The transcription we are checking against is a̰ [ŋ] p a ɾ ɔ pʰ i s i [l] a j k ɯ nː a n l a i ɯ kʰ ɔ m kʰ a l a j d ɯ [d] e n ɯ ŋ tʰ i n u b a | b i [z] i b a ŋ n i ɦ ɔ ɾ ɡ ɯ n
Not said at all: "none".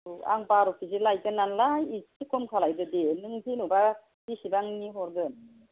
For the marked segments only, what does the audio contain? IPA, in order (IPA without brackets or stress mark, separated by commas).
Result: ŋ, l, d, s